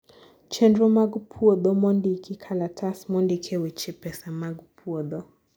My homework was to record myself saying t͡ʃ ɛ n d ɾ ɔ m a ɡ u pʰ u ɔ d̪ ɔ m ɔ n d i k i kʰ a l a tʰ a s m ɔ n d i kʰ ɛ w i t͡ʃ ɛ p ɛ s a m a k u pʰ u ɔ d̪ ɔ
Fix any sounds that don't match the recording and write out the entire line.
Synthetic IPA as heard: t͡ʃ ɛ n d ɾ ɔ m a ɡ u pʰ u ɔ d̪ ɔ m ɔ n d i k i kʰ a l a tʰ a s m ɔ n d i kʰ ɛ w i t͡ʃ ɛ p ɛ s a m a ɡ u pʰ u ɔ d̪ ɔ